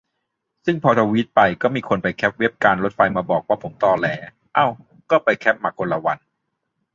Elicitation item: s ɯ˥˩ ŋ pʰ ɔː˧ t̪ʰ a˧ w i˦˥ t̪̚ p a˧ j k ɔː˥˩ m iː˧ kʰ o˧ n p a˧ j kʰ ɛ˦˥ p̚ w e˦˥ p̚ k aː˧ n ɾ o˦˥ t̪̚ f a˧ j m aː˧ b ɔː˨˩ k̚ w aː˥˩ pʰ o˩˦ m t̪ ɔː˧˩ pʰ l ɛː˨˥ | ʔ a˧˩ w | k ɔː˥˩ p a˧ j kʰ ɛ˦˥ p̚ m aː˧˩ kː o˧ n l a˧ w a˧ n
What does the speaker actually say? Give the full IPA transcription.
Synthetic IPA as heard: s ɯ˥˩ ŋ pʰ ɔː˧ t̪ʰ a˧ w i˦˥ t̪̚ p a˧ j k ɔː˥˩ m iː˧ kʰ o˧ n p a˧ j kʰ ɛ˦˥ p̚ w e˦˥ p̚ k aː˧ n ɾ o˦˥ t̪̚ f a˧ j m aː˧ b ɔː˨˩ k̚ w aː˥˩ pʰ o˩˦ m t̪ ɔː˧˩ l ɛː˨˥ | ʔ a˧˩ w | k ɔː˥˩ p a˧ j kʰ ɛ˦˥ p̚ m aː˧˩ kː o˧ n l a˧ w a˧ n

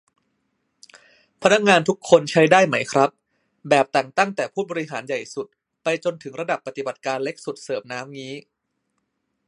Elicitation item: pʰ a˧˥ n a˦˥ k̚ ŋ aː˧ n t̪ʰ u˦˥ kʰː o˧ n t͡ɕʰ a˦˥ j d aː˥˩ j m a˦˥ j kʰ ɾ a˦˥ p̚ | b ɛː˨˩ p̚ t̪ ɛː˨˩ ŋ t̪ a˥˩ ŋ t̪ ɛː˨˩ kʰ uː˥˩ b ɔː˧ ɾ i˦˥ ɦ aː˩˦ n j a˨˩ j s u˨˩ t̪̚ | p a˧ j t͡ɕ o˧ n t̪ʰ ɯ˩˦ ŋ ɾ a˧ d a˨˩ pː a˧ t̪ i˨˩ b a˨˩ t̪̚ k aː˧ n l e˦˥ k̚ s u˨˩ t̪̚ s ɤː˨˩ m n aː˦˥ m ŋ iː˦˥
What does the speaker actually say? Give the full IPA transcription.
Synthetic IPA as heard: pʰ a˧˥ n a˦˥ k̚ ŋ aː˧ n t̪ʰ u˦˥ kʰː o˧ n t͡ɕʰ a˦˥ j d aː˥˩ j m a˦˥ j kʰ ɾ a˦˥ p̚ | b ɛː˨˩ p̚ t̪ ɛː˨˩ ŋ t̪ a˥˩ ŋ t̪ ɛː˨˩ pʰ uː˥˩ b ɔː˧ ɾ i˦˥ ɦ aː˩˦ n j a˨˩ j s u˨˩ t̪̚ | p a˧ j t͡ɕ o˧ n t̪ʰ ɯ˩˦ ŋ ɾ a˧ d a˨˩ pː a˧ t̪ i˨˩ b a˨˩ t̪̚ k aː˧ n l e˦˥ k̚ s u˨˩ t̪̚ s ɤː˨˩ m n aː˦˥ m ŋ iː˦˥

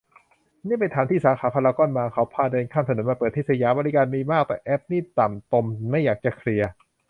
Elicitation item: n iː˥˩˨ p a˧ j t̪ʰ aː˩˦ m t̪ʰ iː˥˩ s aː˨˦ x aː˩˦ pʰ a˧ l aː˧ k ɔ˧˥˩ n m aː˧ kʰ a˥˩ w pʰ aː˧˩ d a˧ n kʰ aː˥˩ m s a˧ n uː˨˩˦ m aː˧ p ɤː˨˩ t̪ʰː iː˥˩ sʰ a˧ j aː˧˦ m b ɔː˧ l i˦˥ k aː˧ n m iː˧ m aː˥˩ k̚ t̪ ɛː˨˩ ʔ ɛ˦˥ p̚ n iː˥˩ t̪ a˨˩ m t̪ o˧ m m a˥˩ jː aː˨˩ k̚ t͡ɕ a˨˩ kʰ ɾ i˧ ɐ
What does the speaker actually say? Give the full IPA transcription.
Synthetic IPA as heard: n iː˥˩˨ p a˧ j t̪ʰ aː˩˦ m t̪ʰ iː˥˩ s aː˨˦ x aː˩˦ pʰ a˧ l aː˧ k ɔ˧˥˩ n m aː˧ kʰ a˦˥ w pʰ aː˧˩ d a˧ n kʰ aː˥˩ m s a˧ n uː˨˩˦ m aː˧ p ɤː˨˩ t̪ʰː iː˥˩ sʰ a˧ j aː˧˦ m b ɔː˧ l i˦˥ k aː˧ n m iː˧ m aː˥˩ k̚ t̪ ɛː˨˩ ʔ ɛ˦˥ p̚ n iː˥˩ t̪ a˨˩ m t̪ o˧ m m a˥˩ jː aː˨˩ k̚ t͡ɕ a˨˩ kʰ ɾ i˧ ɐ

